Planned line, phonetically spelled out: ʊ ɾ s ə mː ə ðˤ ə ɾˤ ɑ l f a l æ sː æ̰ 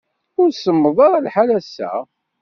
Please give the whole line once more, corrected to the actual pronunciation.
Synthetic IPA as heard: ʊ ɾ s ə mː ə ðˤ ɑ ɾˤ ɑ l ħ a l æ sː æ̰

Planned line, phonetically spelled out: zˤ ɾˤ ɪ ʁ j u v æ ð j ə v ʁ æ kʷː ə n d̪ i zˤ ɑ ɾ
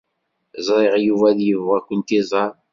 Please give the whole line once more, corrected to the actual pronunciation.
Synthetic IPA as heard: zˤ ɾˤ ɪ ʁ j u v æ ð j ə v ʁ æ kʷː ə n t̪ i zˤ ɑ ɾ

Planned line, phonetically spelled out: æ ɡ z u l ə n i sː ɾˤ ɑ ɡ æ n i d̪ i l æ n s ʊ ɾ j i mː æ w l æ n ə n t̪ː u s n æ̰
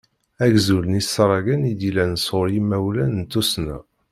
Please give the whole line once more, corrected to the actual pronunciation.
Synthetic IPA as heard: æ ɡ z u l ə n i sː ɾˤ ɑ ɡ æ n i d̪ i l æ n s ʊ ɾ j i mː æ w l æ n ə n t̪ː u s n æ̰

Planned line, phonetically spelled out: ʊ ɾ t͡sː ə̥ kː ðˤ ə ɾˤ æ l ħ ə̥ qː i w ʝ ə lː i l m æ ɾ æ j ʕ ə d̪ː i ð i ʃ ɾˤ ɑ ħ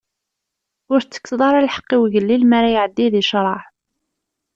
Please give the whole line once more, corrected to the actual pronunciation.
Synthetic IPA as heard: ʊ ɾ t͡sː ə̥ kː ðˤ ɑ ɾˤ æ l ħ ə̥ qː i w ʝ ə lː i l m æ ɾ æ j ʕ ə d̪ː i ð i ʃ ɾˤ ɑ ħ

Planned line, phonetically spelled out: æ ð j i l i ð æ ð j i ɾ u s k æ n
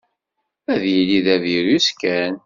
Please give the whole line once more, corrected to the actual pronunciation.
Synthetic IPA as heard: æ ð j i l i ð æ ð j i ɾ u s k æ n

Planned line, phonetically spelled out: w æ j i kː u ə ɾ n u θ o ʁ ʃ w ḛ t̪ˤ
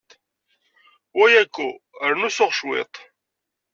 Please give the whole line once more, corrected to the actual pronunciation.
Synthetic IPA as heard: w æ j æ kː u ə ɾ n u s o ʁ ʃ w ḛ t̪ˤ

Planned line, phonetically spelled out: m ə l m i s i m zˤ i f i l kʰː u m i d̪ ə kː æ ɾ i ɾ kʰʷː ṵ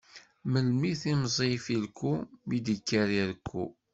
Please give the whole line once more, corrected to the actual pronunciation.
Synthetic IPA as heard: m ə l m i θ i m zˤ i f i l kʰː u m i d̪ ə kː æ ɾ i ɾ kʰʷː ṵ

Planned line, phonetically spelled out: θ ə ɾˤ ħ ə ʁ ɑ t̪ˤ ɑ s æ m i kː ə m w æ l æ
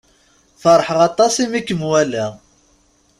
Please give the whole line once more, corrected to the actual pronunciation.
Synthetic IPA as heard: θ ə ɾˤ ħ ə ʁ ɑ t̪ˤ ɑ s i m i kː ə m w æ l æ

